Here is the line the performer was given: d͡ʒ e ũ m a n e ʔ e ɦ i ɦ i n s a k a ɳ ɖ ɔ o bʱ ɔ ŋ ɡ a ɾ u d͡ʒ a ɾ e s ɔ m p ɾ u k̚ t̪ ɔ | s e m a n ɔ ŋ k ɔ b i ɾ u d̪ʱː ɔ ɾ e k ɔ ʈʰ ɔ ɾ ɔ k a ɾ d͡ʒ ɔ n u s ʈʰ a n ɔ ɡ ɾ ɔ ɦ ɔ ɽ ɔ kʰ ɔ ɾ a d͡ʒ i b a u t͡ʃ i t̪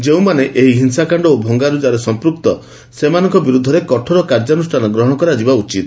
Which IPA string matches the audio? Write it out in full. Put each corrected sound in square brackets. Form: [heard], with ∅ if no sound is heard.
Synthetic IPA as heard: d͡ʒ e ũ m a n e ʔ e ɦ i ɦ i n s a k a ɳ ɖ ɔ o bʱ ɔ ŋ ɡ a ɾ u d͡ʒ a ɾ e s ɔ m p ɾ u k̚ t̪ ɔ | s e m a n ɔ ŋ k ɔ b i ɾ u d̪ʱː ɔ ɾ e k ɔ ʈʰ ɔ ɾ ɔ k a ɾ d͡ʒ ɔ n u s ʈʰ a n ɔ ɡ ɾ ɔ ɦ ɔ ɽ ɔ [k] ɔ ɾ a d͡ʒ i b a u t͡ʃ i t̪